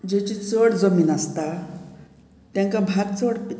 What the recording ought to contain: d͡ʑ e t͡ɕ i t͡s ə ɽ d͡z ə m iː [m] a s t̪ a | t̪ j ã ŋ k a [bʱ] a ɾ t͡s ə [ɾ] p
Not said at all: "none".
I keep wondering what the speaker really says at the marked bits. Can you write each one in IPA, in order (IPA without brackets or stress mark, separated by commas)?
n, bʱ, ɽ